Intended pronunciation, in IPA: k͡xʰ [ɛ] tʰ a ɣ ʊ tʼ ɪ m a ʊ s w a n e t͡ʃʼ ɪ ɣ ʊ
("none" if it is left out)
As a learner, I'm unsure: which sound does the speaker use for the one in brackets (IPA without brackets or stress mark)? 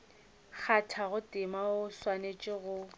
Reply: a